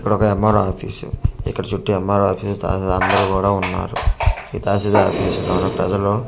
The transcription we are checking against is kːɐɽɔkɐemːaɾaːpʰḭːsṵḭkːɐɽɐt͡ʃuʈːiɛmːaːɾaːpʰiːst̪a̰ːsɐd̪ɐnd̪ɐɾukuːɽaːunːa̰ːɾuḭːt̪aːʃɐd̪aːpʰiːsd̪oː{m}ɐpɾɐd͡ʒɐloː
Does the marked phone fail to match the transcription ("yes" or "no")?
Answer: yes